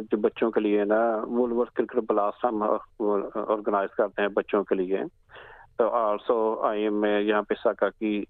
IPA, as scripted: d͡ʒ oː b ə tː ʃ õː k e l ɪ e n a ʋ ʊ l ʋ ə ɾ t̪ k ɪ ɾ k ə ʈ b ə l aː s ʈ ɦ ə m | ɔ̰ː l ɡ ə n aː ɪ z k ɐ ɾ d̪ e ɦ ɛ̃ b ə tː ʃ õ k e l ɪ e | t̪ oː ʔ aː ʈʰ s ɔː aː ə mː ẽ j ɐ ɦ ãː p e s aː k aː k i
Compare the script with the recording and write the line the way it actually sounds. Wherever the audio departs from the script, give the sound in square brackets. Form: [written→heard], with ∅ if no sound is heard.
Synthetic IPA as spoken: d͡ʒ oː b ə tː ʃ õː k e l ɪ e n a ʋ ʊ l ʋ ə ɾ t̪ k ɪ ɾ k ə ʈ b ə l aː s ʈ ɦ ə m | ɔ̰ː [l→ɾ] ɡ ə n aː ɪ z k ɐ ɾ [d̪→t̪] e ɦ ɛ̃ b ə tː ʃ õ k e l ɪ e | t̪ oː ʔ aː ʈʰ s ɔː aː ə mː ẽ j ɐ ɦ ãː p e s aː k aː k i